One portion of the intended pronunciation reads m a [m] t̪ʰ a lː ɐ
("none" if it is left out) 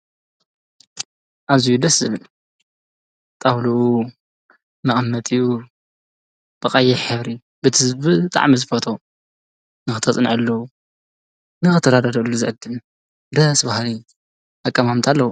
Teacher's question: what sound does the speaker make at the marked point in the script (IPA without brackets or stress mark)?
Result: m